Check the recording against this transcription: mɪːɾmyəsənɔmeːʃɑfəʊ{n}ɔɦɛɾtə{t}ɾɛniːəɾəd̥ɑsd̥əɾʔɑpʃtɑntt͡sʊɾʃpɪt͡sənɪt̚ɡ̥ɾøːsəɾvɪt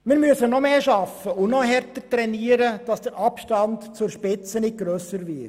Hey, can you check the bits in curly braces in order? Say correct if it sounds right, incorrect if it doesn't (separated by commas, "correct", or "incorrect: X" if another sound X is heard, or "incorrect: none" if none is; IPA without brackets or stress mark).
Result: correct, correct